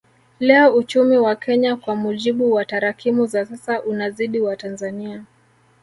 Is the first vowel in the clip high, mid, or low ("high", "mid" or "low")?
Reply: mid